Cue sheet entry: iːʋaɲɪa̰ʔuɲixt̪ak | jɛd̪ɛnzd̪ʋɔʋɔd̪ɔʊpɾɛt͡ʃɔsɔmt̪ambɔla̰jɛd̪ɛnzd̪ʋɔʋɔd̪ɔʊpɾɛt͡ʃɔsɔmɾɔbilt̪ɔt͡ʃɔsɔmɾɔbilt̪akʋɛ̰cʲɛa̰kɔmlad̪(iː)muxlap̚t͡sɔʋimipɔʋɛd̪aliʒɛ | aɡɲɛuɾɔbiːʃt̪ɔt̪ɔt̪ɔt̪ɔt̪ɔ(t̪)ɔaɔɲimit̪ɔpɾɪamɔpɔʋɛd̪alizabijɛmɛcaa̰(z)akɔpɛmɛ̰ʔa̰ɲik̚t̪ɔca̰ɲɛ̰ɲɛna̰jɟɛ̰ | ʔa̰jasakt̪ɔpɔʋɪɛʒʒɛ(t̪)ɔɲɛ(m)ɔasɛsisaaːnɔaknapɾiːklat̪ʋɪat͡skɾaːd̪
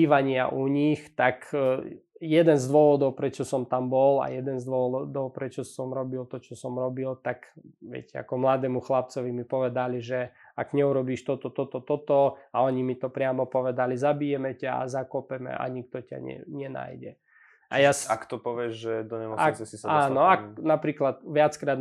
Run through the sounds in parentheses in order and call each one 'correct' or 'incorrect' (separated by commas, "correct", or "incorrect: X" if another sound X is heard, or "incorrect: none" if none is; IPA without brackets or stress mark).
incorrect: ɛː, correct, correct, incorrect: d̪, correct